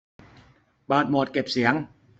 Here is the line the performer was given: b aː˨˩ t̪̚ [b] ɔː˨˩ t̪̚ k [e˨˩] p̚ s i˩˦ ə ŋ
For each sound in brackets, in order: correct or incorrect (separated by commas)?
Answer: incorrect, correct